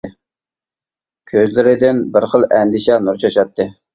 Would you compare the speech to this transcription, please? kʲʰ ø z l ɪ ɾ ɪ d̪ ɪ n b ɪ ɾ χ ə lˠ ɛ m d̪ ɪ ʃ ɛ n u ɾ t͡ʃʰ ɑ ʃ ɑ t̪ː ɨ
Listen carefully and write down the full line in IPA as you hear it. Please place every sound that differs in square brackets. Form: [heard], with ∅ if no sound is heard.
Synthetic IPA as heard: kʲʰ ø z l ɪ ɾ ɪ d̪ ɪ n b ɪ ɾ χ ə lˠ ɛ [n] d̪ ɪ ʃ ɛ n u ɾ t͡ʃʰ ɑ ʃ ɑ t̪ː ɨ